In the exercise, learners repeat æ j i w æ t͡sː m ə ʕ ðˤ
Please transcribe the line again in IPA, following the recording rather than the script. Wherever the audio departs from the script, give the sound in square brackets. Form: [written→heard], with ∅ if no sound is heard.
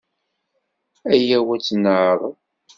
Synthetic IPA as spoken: æ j [i→æ] w æ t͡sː [m→n] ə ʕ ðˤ